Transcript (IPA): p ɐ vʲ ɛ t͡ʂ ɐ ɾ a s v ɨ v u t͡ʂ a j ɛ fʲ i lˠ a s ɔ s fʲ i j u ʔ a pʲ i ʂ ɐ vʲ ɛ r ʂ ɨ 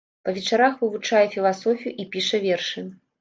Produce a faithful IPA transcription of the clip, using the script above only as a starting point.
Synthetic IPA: p ɐ vʲ ɛ t͡ʂ a ɾ a x v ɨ v u t͡ʂ a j ɛ fʲ i lˠ a s ɔ fʲ i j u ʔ i pʲ i ʂ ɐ vʲ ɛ r ʂ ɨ